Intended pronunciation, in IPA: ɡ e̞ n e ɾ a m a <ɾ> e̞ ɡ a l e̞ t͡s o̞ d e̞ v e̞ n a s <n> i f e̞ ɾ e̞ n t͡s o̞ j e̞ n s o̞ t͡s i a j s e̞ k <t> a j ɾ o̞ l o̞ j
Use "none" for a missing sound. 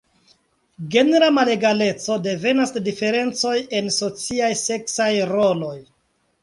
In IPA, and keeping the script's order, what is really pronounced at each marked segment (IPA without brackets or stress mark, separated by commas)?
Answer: l, d, s